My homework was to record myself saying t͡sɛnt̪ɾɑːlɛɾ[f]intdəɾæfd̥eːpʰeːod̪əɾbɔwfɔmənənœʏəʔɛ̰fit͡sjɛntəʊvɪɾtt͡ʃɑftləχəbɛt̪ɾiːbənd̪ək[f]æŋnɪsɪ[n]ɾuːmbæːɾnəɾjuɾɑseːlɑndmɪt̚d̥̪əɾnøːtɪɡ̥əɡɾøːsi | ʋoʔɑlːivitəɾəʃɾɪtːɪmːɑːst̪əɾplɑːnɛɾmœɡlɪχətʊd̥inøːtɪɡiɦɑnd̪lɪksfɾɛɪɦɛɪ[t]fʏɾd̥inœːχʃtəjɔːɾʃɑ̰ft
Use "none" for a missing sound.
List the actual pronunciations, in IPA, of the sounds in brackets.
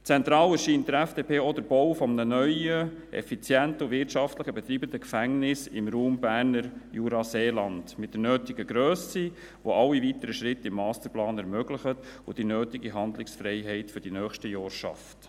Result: ʃ, f, m, t

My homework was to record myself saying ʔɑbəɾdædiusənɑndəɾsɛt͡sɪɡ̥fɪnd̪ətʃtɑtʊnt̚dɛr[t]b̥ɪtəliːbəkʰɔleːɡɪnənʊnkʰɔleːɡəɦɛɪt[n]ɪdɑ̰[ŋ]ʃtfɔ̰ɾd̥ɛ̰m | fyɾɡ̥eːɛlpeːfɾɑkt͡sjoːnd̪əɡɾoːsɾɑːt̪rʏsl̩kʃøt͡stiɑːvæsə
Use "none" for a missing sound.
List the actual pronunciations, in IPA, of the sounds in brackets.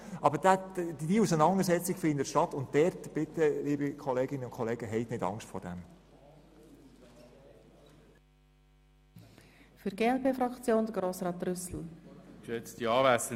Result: t, n, ŋ

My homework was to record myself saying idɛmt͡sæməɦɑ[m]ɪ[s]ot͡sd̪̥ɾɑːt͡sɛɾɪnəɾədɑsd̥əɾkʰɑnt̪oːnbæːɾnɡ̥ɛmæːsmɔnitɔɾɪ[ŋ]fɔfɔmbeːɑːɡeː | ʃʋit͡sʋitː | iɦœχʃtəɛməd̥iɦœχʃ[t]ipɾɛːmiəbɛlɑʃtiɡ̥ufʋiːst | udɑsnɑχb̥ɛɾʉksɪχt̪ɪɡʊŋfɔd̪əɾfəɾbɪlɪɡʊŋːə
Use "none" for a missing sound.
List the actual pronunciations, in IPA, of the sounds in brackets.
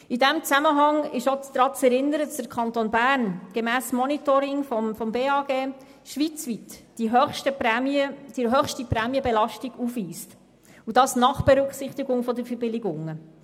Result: ŋ, ʃ, ŋ, t

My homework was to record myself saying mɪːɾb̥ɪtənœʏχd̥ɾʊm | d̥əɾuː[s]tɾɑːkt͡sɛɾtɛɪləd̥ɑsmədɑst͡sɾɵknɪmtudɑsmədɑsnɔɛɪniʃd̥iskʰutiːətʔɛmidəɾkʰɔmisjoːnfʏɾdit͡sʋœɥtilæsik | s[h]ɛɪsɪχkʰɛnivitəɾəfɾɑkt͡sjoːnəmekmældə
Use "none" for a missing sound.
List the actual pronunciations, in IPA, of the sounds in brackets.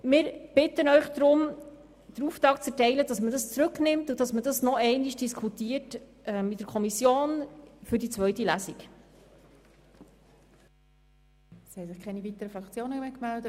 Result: f, h

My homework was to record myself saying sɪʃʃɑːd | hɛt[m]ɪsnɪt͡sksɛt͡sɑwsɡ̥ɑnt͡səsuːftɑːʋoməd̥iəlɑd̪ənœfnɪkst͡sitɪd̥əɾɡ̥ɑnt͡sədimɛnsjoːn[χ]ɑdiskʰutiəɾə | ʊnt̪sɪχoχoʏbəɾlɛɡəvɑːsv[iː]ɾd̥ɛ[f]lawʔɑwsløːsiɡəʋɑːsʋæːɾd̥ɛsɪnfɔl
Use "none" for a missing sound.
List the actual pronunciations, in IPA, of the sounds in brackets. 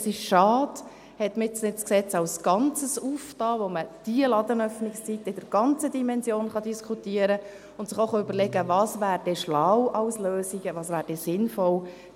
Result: m, χ, æː, ʃ

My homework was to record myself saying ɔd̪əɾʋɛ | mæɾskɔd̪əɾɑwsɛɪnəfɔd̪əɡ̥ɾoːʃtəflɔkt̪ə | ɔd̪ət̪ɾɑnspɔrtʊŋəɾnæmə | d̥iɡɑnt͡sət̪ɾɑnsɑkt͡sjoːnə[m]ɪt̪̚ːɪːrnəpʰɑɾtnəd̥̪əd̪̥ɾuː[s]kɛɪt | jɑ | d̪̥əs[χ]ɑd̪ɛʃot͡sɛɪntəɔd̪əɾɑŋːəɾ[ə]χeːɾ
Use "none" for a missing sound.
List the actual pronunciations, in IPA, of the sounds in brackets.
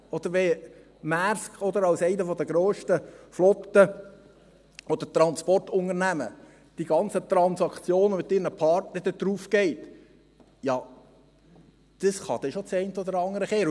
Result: m, f, χ, ə

